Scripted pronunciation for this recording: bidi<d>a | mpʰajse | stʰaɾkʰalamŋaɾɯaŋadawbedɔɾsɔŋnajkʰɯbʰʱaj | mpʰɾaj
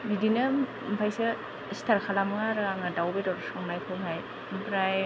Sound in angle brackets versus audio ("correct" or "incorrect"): incorrect